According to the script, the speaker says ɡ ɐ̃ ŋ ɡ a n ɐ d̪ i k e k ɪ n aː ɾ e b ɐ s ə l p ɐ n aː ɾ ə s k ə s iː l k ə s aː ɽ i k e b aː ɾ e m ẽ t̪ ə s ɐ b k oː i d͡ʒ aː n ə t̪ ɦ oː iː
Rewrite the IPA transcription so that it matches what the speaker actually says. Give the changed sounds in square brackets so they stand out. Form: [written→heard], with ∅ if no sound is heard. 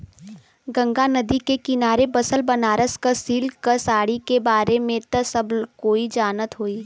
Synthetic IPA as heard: ɡ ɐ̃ ŋ ɡ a n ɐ d̪ i k e k ɪ n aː ɾ e b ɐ s ə l [p→b] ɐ n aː ɾ ə s k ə s iː l k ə s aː ɽ i k e b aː ɾ e m ẽ t̪ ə s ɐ b k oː i d͡ʒ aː n ə t̪ ɦ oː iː